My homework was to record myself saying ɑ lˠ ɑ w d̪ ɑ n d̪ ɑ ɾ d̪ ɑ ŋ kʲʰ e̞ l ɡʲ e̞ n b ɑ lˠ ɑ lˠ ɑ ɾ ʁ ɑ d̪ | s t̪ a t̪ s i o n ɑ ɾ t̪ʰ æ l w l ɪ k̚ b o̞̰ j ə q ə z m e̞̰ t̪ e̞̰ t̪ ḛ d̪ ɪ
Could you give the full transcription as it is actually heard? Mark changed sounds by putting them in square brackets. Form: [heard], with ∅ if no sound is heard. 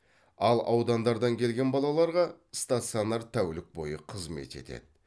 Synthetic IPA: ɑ lˠ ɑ w d̪ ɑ n d̪ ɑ ɾ d̪ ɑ ŋ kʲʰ e̞ l ɡʲ e̞ n b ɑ lˠ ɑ lˠ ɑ ɾ ʁ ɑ [∅] | s t̪ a t̪ s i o n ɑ ɾ t̪ʰ æ [∅] w l ɪ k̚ b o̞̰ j ə [qʰ] ə z m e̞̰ t̪ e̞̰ t̪ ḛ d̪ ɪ